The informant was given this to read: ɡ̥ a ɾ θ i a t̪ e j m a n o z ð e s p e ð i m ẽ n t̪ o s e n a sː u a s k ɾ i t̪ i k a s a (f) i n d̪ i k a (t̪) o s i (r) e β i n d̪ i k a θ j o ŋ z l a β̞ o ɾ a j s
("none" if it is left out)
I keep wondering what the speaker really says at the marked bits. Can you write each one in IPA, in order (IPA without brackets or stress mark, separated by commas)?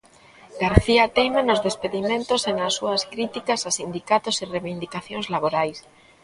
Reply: s, t̪, r